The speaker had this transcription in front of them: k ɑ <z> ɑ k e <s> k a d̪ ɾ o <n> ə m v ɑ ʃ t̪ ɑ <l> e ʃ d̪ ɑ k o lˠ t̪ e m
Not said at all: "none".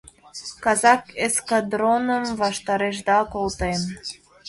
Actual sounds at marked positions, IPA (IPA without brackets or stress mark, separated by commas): z, s, n, ɾ